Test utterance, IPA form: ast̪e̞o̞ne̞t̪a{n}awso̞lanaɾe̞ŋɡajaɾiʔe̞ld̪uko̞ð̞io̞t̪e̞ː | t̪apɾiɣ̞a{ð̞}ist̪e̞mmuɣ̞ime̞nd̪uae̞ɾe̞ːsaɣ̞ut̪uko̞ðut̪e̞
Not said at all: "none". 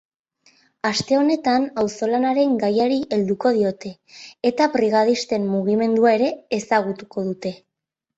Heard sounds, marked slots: n, ð̞

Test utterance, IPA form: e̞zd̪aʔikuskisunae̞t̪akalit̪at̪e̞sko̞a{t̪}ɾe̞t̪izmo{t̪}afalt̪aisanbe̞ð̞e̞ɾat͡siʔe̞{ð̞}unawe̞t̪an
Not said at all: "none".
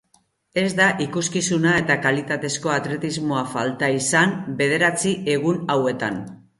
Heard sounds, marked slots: t̪, none, ɣ̞

